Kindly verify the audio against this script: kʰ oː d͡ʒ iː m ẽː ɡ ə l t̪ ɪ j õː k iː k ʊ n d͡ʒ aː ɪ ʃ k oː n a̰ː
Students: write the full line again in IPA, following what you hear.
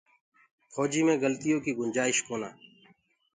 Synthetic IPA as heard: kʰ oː d͡ʒ iː m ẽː ɡ ə l t̪ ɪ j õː k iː ɡ ʊ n d͡ʒ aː ɪ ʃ k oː n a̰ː